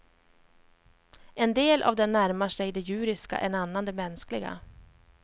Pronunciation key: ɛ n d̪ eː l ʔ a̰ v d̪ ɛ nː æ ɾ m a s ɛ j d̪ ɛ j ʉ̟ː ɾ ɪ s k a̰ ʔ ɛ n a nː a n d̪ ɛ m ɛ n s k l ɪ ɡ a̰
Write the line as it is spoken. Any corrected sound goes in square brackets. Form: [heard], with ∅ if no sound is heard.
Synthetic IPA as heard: ɛ n d̪ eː l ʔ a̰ v d̪ ɛ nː æ ɾ m a [ʂ] ɛ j d̪ ɛ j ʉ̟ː ɾ ɪ s k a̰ ʔ ɛ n a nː a n d̪ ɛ m ɛ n s k l ɪ ɡ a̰